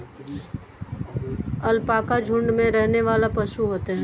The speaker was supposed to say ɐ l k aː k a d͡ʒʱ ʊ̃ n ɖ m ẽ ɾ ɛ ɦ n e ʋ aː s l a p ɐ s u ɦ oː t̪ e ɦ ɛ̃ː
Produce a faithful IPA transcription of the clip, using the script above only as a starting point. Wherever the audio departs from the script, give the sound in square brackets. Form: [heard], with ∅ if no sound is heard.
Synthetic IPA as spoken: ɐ l [p] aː k a d͡ʒʱ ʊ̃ [ɳ] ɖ m ẽ ɾ ɛ ɦ n e ʋ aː [∅] l a p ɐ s u ɦ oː t̪ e ɦ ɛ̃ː